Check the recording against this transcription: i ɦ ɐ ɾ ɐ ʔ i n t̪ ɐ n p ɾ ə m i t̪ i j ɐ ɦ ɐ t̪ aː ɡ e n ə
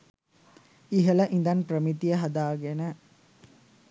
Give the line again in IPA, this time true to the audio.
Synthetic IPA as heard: i ɦ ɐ l ɐ ʔ i n d̪ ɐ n p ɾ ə m i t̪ i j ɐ ɦ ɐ d̪ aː ɡ e n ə